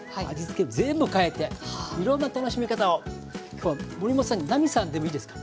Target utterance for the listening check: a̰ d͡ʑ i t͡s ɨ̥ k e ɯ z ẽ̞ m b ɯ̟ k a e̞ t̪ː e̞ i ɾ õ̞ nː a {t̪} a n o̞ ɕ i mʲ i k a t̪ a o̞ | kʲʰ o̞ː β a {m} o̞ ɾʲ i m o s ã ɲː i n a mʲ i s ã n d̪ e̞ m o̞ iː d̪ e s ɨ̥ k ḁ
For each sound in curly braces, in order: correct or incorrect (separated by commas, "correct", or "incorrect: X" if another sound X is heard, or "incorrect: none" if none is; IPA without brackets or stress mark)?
correct, correct